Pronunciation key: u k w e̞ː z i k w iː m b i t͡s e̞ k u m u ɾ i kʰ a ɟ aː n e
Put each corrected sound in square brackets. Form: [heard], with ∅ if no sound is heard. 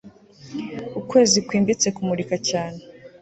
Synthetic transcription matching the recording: u k w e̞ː z i k w iː m b i t͡s e̞ k u m u ɾ i [k] a [c] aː n e